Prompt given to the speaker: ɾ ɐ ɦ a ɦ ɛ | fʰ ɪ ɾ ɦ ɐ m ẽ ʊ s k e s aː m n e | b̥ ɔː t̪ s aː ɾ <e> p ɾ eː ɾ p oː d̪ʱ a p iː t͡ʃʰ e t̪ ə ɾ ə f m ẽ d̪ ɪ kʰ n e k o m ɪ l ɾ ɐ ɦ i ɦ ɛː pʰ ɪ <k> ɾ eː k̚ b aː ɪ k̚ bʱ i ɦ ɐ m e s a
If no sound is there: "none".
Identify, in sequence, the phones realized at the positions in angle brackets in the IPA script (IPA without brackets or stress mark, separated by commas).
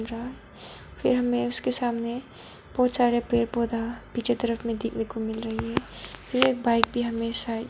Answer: e, none